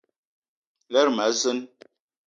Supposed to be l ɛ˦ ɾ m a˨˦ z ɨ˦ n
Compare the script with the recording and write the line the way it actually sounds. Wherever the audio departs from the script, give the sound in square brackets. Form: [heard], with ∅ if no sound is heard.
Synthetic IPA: l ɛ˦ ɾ m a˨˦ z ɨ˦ n